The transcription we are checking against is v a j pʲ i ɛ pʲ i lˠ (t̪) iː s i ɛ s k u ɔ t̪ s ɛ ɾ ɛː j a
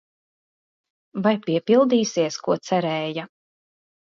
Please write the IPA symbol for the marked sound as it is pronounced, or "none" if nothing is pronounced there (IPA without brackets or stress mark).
d̪